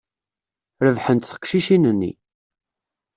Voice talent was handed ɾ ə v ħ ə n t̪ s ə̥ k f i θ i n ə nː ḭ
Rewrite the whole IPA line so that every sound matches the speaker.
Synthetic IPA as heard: ɾ ə v ħ ə n t̪ θ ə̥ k ʃ i ʃ i n ə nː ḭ